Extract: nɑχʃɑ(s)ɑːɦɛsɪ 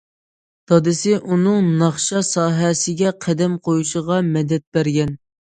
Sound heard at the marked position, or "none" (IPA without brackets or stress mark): s